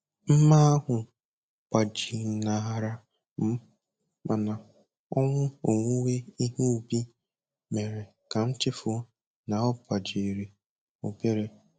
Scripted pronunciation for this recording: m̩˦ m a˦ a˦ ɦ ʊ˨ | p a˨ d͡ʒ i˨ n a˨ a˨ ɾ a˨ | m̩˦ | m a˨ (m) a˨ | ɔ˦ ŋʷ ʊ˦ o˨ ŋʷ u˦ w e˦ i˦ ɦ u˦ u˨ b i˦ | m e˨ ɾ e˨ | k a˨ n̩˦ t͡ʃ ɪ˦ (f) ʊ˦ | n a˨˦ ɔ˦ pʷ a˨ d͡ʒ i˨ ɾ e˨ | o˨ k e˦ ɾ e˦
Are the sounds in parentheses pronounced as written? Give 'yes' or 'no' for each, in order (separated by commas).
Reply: no, yes